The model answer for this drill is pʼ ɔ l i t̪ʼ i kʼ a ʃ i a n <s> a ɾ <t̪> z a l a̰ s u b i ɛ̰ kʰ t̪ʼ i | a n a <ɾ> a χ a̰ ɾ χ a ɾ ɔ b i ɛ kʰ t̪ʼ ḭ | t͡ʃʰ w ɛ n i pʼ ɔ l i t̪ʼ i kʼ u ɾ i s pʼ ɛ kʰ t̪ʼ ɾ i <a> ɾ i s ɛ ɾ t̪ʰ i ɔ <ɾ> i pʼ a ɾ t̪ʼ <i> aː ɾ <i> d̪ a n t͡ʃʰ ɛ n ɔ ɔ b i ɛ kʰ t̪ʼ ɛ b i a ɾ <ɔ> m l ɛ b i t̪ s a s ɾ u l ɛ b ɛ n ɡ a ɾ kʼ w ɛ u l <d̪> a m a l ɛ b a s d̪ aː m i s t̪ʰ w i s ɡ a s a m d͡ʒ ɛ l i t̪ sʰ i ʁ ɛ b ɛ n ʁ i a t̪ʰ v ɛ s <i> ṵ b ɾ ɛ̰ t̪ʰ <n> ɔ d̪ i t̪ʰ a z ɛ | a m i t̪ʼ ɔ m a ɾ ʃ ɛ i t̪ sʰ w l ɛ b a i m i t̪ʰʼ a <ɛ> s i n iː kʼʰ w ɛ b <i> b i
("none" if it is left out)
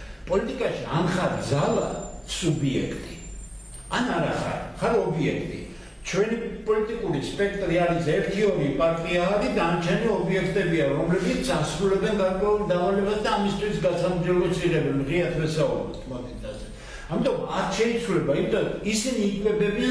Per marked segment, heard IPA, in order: χ, d̪, ɾ, a, ɾ, i, i, ɔ, d̪, a, m, i, ɛ

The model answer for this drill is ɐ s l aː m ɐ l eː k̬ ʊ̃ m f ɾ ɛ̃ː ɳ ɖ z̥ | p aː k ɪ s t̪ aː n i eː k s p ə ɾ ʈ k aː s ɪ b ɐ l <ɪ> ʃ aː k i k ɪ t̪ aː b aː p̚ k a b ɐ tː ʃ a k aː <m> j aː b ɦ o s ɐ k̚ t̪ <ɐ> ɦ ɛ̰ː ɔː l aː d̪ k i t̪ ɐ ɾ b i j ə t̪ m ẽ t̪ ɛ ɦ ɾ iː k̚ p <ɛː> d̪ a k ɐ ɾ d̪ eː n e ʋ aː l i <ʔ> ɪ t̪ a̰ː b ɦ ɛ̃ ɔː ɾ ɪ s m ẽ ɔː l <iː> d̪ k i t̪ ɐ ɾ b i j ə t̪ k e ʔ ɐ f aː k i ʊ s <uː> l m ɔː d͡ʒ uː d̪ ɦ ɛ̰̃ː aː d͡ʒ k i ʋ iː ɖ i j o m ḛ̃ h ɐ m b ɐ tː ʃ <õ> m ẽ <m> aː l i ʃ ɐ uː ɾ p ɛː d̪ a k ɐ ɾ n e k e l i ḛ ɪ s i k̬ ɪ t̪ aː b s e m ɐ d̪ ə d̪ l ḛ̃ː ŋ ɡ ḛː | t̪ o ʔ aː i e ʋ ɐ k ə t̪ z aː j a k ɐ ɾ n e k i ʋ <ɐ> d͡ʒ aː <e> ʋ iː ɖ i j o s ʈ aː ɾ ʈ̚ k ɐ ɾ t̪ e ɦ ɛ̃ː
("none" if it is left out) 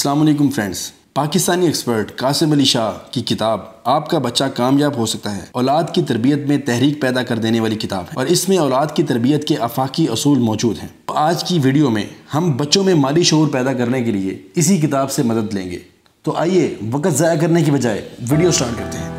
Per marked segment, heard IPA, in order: i, m, a, ɛː, k, aː, uː, õ, m, ɐ, e

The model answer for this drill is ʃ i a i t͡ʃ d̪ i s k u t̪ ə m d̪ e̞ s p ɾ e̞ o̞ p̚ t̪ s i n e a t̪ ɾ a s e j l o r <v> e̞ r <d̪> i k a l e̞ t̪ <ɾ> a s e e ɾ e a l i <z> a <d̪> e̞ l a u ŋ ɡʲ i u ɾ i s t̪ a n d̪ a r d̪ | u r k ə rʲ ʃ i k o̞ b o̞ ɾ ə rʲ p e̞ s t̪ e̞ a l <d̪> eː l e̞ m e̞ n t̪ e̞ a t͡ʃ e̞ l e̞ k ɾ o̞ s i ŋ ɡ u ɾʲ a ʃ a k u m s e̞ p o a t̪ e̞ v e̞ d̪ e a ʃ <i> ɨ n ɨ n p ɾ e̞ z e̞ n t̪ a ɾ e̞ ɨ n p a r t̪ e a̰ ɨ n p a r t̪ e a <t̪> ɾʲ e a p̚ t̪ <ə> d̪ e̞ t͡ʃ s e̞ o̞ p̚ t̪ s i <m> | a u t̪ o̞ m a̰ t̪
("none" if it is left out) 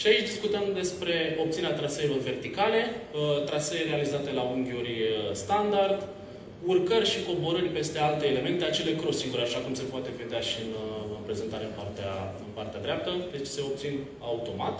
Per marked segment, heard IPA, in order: v, t̪, ɾ, z, t̪, t̪, i, d̪, ə, n

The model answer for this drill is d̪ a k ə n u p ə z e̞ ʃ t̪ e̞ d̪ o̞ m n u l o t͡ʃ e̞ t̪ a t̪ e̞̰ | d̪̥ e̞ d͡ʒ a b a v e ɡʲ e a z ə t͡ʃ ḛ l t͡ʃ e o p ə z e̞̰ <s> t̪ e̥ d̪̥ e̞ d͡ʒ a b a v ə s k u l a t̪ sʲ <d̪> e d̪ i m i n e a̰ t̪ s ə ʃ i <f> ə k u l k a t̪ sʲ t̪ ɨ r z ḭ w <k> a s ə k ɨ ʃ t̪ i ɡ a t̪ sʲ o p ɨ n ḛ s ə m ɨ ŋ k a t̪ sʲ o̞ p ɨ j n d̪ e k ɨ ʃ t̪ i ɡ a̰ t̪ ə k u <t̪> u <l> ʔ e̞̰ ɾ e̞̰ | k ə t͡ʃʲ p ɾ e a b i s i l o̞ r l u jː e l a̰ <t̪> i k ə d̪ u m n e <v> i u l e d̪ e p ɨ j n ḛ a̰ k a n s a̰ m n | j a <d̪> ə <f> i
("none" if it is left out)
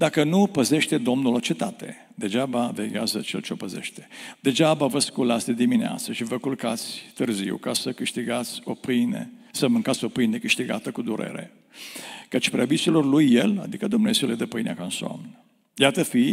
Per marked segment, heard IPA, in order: ʃ, d̪, v, k, d̪, ɾ, d̪, z, t̪, f

